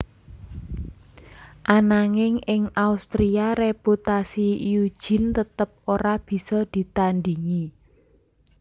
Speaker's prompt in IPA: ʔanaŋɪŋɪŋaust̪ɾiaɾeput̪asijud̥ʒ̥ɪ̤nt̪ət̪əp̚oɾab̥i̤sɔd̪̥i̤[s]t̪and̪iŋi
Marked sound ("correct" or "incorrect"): incorrect